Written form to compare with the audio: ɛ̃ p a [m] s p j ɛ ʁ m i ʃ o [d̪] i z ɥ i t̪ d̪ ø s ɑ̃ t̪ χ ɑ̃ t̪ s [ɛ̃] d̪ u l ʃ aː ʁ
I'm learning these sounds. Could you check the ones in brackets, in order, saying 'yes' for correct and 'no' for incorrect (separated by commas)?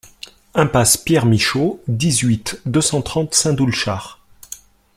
no, yes, yes